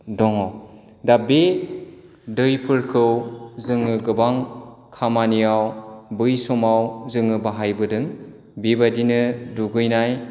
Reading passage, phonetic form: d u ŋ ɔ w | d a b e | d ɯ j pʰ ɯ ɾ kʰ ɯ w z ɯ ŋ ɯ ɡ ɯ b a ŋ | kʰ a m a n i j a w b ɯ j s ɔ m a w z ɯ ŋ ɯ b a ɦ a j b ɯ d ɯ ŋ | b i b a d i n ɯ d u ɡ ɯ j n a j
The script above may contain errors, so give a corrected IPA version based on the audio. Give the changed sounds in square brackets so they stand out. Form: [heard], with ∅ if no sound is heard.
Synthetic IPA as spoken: d [ɔ] ŋ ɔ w | d a b e | d ɯ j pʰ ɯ ɾ kʰ ɯ w z ɯ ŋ ɯ ɡ ɯ b a ŋ | kʰ a m a n i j a w b ɯ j s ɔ m a w z ɯ ŋ ɯ b a ɦ a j b ɯ d ɯ ŋ | b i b a d i n ɯ d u ɡ ɯ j n a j